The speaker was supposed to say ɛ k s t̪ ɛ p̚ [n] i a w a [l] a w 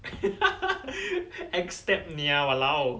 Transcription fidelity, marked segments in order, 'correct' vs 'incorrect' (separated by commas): correct, correct